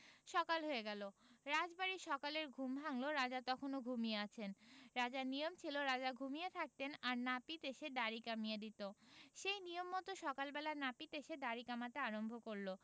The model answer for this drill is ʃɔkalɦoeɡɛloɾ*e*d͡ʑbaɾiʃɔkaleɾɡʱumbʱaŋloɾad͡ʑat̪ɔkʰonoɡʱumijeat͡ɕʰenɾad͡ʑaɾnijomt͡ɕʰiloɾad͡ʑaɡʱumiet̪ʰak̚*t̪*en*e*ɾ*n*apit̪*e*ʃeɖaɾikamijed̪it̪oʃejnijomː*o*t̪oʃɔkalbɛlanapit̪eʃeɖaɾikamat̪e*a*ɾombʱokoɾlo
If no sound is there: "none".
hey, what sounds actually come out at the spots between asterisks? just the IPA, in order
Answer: a, t̪, a, n, e, ɔ, a

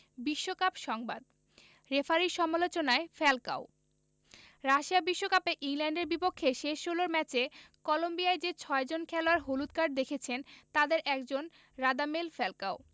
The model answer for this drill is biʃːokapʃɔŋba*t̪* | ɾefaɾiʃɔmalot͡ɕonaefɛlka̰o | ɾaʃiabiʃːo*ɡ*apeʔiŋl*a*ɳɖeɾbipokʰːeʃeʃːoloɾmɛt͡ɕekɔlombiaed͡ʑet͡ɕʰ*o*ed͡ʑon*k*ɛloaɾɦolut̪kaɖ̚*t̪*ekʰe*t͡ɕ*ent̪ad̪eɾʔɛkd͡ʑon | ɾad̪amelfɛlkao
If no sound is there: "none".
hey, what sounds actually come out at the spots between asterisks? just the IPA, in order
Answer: d̪, k, ɛ, ɔ, kʰ, d̪, t͡ɕʰ

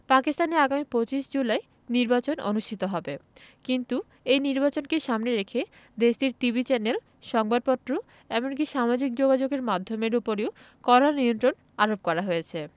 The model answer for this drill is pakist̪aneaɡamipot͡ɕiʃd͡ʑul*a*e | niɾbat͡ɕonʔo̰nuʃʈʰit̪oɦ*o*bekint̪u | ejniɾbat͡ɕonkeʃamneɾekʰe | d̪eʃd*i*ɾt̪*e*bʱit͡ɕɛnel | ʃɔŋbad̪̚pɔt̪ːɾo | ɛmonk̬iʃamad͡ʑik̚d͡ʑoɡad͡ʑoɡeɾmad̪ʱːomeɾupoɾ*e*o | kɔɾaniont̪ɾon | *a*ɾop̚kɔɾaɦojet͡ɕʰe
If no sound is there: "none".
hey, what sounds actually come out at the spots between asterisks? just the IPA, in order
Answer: a, ɔ, i, i, e, a

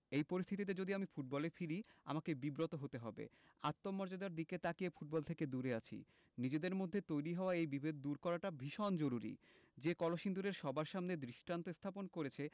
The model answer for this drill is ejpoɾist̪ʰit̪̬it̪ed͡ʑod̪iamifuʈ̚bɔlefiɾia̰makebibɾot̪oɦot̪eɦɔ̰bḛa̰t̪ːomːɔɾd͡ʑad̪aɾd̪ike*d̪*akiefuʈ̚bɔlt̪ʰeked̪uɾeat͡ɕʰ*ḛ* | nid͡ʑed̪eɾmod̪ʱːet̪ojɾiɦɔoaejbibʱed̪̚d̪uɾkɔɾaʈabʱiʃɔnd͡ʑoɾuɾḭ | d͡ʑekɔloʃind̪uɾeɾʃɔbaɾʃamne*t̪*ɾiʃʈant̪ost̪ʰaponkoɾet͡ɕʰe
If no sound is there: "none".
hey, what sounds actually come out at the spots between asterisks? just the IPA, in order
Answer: t̪, ḭ, d̪

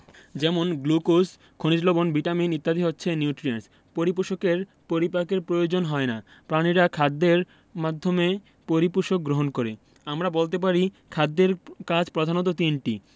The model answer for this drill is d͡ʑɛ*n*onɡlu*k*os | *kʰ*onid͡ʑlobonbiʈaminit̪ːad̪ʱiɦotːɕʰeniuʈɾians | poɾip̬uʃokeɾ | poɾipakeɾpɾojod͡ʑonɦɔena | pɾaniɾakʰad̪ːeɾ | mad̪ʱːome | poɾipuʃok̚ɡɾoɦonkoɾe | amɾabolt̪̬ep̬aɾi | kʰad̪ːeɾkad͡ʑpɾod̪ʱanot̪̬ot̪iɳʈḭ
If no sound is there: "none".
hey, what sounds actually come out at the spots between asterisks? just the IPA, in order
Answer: m, k, kʰ

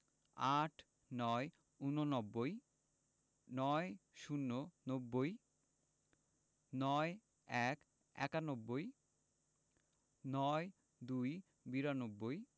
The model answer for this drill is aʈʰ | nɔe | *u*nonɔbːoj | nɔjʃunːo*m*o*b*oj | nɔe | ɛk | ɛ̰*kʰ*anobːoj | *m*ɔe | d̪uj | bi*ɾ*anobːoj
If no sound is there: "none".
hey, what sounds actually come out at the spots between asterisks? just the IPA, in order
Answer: u, n, bː, k, n, ɾ

